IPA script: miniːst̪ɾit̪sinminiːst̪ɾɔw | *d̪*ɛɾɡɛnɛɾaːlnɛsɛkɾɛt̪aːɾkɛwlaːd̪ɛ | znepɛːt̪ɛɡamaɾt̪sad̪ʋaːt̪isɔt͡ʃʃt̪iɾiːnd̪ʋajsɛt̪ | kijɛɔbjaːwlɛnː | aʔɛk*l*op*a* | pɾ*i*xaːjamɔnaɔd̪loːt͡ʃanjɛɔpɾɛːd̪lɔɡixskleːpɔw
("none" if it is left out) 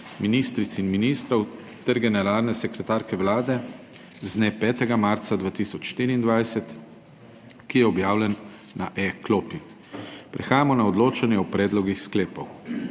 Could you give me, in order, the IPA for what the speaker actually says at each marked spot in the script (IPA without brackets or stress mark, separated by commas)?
t̪, l, i, ɛ